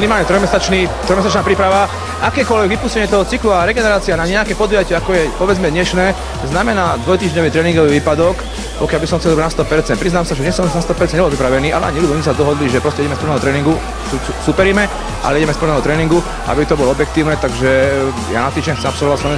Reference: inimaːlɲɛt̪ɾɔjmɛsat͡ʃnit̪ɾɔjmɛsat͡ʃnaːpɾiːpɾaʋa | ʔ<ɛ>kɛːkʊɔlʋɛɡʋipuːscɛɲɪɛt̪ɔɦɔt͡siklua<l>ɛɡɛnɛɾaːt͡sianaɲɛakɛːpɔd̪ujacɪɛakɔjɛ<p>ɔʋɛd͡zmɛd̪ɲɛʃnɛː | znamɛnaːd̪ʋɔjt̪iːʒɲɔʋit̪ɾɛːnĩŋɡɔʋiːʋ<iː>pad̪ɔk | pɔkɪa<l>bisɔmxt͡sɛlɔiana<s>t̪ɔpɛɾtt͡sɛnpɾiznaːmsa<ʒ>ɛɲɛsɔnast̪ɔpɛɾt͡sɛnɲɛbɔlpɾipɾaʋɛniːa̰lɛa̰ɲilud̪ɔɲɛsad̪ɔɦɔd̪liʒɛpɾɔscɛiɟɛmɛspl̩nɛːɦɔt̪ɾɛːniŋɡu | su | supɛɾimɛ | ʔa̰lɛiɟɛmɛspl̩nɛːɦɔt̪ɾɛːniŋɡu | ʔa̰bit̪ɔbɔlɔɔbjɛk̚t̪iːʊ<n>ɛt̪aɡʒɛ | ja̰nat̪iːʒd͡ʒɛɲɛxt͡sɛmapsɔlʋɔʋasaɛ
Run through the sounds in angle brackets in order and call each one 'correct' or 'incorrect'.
incorrect: a, incorrect: ɾ, correct, correct, correct, correct, correct, correct

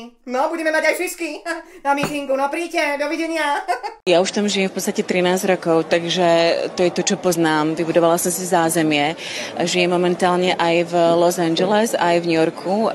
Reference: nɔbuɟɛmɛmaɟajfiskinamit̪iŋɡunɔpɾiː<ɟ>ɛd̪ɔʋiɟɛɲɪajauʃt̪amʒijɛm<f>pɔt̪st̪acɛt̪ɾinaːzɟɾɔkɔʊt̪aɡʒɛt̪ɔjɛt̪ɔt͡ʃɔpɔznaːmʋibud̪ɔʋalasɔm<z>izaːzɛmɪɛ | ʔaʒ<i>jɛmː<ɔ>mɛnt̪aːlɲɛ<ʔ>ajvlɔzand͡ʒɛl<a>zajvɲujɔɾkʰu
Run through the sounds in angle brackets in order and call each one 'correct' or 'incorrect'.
incorrect: c, correct, incorrect: s, correct, correct, correct, incorrect: ɛ

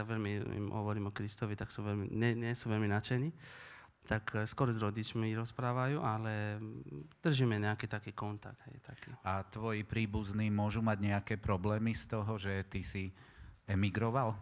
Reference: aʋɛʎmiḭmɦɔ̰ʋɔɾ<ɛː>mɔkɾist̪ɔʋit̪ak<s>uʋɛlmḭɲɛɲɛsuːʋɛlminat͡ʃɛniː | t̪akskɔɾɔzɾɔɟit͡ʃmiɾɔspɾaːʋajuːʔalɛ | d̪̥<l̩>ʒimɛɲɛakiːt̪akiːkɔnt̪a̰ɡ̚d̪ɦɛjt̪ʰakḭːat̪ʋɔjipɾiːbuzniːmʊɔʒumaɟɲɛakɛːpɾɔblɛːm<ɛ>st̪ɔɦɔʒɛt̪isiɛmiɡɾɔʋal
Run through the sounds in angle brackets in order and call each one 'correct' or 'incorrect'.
incorrect: iː, correct, incorrect: r̩, incorrect: i

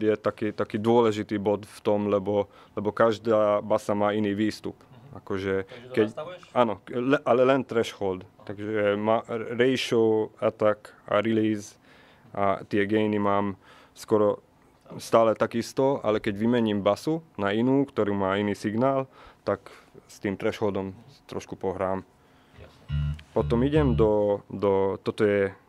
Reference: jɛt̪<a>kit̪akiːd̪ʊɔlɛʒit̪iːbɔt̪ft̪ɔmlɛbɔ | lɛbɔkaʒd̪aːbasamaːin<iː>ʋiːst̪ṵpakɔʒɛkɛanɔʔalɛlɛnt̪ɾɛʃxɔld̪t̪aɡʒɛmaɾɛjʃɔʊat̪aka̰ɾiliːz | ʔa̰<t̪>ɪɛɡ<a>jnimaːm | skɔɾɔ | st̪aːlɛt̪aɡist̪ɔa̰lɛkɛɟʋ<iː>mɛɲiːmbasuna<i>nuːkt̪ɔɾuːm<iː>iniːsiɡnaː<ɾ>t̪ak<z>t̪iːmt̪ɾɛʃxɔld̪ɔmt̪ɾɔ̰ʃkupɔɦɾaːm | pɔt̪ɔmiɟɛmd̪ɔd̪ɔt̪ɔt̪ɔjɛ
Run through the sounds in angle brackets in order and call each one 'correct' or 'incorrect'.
correct, correct, correct, incorrect: ɛ, incorrect: i, correct, incorrect: aː, incorrect: l, incorrect: s

